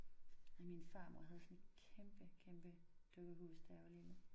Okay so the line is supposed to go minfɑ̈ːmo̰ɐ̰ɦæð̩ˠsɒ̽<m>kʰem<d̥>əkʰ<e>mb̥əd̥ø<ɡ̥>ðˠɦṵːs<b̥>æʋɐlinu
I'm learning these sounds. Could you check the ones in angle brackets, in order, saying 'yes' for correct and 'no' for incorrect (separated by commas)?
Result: no, no, yes, yes, no